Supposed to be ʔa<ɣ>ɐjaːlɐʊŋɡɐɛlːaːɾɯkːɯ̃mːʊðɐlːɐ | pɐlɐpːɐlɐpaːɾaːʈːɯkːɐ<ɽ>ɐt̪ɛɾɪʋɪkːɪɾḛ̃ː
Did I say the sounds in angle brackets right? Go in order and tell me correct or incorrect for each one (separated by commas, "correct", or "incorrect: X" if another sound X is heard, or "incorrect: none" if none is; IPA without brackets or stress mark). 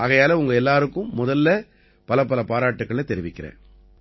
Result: correct, incorrect: ɭ